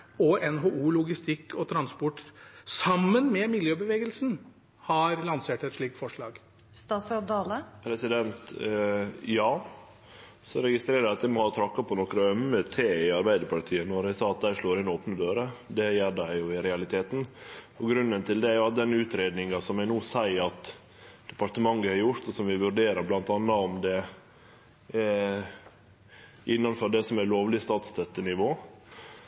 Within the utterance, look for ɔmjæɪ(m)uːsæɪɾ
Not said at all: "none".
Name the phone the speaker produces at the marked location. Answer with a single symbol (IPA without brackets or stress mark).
n